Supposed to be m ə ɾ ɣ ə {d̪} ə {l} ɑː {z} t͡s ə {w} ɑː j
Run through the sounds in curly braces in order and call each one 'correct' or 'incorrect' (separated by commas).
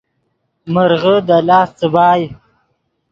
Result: correct, correct, incorrect, incorrect